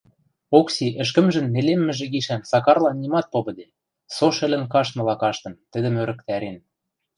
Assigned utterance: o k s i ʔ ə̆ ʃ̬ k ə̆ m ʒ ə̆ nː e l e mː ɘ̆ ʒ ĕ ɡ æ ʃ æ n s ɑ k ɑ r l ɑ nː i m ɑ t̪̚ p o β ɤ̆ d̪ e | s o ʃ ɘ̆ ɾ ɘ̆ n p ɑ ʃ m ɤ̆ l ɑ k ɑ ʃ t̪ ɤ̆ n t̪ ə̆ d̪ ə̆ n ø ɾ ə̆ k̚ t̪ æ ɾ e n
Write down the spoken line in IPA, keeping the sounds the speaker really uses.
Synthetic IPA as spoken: o k s i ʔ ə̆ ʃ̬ k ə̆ m ʒ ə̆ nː e l e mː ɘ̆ ʒ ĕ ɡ i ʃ æ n s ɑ k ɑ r l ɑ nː i m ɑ t̪̚ p o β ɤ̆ d̪ e | s o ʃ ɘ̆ l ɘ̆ n k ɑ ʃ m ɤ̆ l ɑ k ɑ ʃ t̪ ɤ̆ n t̪ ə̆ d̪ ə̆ m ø ɾ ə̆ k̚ t̪ æ ɾ e n